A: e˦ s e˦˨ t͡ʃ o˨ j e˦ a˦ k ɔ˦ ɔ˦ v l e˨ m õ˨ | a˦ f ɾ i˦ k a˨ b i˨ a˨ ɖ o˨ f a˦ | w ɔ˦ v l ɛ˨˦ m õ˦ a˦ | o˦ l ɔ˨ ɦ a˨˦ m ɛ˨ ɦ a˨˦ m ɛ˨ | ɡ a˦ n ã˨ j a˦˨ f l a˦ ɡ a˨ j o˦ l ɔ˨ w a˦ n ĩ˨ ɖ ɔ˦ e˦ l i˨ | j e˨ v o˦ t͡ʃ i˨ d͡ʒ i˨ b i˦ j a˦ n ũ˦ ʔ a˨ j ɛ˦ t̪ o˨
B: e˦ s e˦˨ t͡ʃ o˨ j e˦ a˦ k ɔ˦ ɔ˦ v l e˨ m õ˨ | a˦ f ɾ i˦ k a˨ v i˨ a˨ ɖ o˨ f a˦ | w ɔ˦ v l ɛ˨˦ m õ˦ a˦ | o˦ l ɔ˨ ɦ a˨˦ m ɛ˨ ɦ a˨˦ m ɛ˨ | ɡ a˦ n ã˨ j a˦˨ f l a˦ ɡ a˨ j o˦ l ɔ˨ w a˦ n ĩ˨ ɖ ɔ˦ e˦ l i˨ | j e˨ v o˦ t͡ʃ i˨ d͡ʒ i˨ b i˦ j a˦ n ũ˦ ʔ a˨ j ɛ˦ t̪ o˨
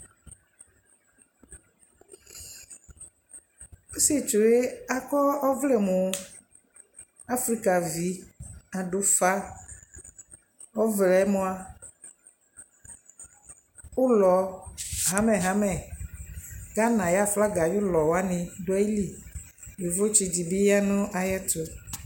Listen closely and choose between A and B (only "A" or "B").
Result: B